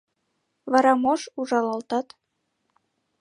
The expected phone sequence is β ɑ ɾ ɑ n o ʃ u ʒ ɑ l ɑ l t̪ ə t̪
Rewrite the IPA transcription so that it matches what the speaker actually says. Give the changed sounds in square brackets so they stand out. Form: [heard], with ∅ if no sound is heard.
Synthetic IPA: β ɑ ɾ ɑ [m] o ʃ u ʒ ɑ l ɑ l t̪ [ɑ] t̪